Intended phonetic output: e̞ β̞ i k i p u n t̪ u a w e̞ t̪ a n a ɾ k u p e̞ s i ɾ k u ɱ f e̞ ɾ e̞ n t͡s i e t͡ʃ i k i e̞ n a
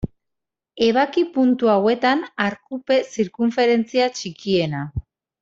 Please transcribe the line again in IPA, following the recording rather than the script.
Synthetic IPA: e̞ β̞ a k i p u n t̪ u a w e̞ t̪ a n a ɾ k u p e̞ s i ɾ k u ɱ f e̞ ɾ e̞ n t͡s i a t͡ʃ i k i e̞ n a